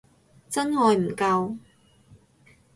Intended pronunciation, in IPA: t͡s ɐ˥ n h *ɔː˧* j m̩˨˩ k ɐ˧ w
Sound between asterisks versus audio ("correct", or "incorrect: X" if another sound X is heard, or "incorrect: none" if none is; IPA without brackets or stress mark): correct